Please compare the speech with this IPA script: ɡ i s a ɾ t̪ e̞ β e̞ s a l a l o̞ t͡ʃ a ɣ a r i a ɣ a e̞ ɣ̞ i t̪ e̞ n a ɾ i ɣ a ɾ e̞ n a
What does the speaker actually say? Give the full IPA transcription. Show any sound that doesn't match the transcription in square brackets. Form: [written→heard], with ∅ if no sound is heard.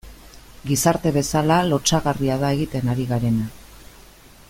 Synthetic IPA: ɡ i s a ɾ t̪ e̞ β e̞ s a l a l o̞ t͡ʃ a ɣ a r i a [ɣ→ð] a e̞ ɣ̞ i t̪ e̞ n a ɾ i ɣ a ɾ e̞ n a

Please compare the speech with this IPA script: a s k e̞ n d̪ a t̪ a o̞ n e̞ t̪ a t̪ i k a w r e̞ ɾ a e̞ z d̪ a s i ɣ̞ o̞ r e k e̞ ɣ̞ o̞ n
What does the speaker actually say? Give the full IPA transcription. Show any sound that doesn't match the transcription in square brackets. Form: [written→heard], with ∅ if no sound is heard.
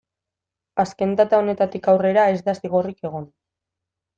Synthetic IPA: a s k e̞ n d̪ a t̪ a o̞ n e̞ t̪ a t̪ i k a w r e̞ ɾ a e̞ z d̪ a s i ɣ̞ o̞ r [e→i] k e̞ ɣ̞ o̞ n

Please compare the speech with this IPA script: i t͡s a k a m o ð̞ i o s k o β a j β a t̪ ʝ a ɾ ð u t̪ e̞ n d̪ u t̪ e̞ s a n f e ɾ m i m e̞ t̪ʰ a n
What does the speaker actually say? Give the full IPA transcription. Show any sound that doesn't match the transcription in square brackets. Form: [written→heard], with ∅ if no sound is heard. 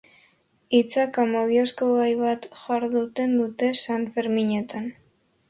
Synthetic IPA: i t͡s a k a m o ð̞ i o s k o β a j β a t̪ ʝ a ɾ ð u t̪ e̞ n d̪ u t̪ e̞ s a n f e ɾ m i [m→ɲ] e̞ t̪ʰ a n

